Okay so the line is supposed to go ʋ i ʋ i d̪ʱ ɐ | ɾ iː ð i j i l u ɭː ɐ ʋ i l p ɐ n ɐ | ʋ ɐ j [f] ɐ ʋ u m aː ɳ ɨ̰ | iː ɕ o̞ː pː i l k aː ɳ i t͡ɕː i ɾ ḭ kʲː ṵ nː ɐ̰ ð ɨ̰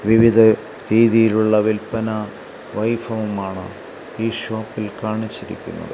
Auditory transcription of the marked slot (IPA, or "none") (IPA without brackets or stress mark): f